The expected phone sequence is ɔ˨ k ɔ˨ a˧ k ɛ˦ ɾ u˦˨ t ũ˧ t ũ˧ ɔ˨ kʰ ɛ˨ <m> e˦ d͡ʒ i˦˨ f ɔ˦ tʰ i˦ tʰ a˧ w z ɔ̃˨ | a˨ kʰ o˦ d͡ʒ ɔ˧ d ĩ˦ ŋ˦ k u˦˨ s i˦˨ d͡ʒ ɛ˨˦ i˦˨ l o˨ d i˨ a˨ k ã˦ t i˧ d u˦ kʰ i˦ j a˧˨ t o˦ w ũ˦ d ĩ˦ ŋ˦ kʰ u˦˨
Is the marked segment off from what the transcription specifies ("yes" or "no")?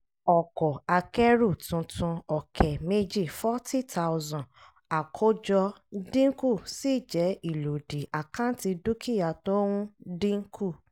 no